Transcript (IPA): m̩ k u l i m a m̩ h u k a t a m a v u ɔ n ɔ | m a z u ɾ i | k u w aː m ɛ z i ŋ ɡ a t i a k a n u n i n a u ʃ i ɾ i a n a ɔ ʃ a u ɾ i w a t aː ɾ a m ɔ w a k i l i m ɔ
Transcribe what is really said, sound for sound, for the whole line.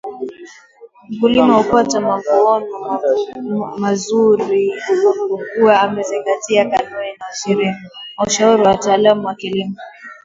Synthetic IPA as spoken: m̩ k u l i m a h u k a t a m a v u ɔ n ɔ | m a z u ɾ i | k u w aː m ɛ z i ŋ ɡ a t i a k a n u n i n a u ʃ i ɾ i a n a u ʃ a u ɾ i w a t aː l a m u w a k i l i m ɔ